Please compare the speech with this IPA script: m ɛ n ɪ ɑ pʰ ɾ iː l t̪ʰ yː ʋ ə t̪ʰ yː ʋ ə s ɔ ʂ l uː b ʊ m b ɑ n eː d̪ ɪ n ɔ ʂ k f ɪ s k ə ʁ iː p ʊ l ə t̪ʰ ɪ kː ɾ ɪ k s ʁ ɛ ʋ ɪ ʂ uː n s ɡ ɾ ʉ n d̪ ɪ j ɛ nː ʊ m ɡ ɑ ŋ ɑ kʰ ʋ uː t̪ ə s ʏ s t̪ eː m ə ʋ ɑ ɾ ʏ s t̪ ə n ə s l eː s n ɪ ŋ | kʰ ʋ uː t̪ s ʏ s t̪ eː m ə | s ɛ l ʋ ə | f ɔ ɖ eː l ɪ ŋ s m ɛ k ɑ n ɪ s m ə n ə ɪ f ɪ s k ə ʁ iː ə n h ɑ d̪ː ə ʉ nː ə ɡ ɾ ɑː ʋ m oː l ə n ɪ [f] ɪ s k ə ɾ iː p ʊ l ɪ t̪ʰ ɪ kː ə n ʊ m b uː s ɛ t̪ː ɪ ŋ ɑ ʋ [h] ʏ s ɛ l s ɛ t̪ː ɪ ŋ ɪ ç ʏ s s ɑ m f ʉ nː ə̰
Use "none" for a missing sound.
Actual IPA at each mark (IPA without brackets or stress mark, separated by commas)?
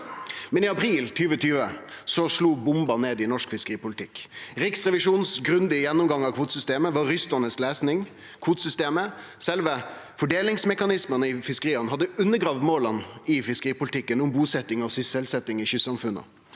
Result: f, s